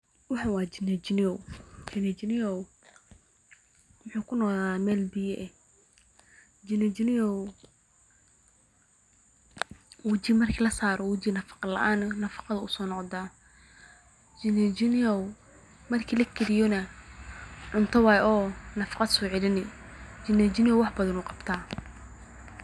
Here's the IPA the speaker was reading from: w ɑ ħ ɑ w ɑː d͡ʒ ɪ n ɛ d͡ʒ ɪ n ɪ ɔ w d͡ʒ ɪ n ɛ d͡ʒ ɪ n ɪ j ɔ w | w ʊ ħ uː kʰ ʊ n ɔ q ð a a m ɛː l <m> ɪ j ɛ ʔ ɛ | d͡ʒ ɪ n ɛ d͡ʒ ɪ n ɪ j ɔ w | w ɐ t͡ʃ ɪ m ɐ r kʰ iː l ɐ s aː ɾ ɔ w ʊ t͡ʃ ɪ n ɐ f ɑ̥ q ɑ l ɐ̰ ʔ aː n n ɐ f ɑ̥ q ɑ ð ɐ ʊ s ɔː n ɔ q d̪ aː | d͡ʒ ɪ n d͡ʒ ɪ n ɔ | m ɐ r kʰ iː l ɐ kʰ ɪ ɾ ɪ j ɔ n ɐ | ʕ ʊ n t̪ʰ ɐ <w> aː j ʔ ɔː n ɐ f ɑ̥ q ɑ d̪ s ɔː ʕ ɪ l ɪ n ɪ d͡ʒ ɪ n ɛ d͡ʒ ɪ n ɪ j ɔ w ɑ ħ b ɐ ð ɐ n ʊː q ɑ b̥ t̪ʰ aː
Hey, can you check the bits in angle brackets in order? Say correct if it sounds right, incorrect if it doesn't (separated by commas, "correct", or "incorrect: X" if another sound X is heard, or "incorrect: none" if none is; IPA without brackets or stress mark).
incorrect: b, correct